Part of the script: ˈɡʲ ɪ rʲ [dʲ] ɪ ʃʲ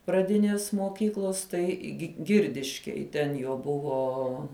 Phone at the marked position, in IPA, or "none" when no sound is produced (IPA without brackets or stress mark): dʲ